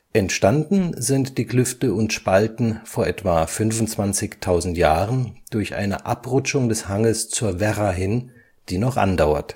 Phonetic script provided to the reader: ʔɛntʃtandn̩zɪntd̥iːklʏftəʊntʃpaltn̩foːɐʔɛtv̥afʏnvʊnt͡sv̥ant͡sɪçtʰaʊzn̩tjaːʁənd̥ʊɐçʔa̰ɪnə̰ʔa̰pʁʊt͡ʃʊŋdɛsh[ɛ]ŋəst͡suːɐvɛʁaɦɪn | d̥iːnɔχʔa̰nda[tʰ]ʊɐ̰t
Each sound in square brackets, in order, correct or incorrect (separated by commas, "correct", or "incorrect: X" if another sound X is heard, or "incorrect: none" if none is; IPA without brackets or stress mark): incorrect: a, incorrect: none